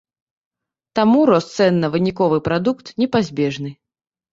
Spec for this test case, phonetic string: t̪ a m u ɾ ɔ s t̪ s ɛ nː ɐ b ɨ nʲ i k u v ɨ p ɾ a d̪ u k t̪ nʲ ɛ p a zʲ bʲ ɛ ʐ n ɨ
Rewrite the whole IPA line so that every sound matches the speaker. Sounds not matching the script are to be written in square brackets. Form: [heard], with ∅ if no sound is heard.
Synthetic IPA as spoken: t̪ a m u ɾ ɔ s t̪ s ɛ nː ɐ [v] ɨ nʲ i k [ɔ] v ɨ p ɾ a d̪ u k t̪ nʲ ɛ p a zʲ bʲ ɛ ʐ n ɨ